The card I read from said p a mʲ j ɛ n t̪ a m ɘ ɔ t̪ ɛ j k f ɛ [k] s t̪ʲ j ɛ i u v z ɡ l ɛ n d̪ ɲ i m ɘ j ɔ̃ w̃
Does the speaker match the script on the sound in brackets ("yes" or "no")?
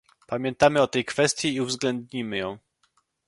no